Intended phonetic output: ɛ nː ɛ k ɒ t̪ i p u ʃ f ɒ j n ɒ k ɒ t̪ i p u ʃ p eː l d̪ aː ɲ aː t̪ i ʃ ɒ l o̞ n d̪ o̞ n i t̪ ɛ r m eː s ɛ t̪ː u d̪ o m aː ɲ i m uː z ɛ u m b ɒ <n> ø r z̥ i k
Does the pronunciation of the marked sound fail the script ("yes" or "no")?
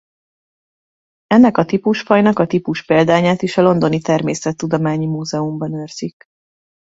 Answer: no